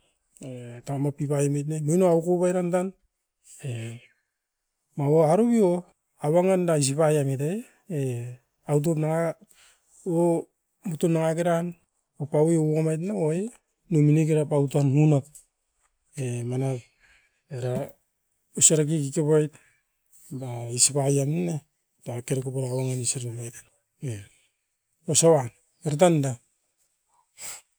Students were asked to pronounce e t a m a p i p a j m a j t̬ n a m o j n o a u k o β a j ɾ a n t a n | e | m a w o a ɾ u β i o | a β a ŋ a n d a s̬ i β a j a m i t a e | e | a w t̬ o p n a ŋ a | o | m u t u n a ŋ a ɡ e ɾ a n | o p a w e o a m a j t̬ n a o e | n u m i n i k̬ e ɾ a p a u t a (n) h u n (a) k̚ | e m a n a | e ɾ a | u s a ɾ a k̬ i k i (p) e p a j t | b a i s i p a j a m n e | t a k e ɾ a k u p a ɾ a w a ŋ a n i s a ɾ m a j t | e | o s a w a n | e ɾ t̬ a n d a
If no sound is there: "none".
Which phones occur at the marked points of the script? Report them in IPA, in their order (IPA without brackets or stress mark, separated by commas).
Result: n, a, k